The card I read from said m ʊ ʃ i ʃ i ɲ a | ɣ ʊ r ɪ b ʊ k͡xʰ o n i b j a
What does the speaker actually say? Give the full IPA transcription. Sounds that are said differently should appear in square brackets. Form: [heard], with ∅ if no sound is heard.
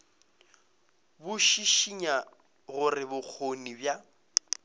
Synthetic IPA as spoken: [b] ʊ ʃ i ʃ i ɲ a | ɣ ʊ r ɪ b ʊ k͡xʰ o n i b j a